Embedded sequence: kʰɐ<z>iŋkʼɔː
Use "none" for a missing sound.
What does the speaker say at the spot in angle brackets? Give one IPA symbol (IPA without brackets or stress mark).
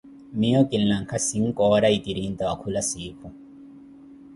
s